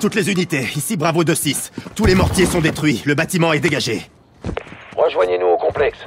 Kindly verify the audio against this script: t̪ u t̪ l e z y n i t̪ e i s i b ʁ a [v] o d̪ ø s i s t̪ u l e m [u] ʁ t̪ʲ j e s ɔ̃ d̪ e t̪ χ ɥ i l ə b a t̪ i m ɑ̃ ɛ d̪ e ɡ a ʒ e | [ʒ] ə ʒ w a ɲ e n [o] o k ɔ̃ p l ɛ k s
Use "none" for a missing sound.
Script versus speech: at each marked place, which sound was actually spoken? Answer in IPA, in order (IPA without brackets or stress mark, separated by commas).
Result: v, ɔ, ʁ, u